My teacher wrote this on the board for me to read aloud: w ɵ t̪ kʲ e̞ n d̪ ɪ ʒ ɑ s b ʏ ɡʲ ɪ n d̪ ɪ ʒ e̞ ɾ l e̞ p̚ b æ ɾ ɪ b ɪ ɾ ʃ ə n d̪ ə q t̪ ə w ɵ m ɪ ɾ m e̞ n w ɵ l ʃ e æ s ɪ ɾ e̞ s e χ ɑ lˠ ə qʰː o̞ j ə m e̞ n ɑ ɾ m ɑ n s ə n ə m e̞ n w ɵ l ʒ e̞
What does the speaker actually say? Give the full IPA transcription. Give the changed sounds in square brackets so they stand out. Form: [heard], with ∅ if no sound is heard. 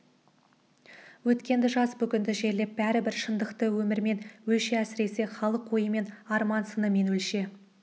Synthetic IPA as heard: w ɵ t̪ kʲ e̞ n d̪ ɪ ʒ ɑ s b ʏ [kʲ] ɪ n d̪ ɪ ʒ e̞ ɾ l e̞ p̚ b æ ɾ ɪ b ɪ ɾ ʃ ə n d̪ ə q t̪ ə w ɵ m ɪ ɾ m e̞ n w ɵ l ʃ e æ s ɪ ɾ e̞ s e χ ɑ lˠ ə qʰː o̞ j ə m e̞ n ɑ ɾ m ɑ n s ə n ə m e̞ n w ɵ l [ʃ] e̞